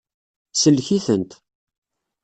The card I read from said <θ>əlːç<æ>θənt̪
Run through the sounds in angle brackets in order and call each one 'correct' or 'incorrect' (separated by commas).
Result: incorrect, incorrect